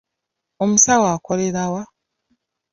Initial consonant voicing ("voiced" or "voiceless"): voiced